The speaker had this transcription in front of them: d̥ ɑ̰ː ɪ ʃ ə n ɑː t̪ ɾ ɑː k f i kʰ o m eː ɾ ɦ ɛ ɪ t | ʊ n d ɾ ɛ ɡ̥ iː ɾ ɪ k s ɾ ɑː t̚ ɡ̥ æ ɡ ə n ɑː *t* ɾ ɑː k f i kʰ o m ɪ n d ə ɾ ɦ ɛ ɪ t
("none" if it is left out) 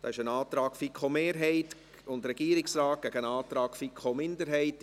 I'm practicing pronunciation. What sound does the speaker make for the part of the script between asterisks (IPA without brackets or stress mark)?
t